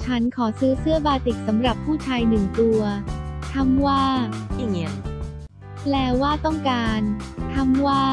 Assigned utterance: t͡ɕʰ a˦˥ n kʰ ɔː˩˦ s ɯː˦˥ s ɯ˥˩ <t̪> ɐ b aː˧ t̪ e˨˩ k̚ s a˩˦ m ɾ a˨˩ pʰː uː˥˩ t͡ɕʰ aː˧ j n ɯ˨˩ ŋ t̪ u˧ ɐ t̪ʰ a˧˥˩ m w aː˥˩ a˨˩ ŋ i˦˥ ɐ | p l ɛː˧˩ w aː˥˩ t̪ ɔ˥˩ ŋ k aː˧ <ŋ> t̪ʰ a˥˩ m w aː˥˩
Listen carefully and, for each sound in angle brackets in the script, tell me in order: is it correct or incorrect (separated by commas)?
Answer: incorrect, incorrect